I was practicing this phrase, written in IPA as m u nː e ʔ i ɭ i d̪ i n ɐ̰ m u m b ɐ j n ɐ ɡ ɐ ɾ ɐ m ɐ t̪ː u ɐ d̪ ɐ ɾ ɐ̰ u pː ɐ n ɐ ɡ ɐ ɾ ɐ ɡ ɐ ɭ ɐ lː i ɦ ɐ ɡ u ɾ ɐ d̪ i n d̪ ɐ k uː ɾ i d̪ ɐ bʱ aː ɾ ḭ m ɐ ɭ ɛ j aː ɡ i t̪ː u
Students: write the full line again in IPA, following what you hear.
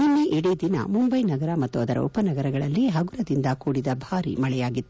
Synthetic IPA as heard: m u nː e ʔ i ɽ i d̪ i n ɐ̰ m u m b ɐ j n ɐ ɡ ɐ ɾ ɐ m ɐ t̪ː u ɐ d̪ ɐ ɾ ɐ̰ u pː ɐ n ɐ ɡ ɐ ɾ ɐ ɡ ɐ ɭ ɐ lː i ɦ ɐ ɡ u ɾ ɐ d̪ i n d̪ ɐ k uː ɽ i d̪ ɐ bʱ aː ɾ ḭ m ɐ ɭ ɛ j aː ɡ i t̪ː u